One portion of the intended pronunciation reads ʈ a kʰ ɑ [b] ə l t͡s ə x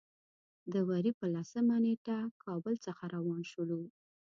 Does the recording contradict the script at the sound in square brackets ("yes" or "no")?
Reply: no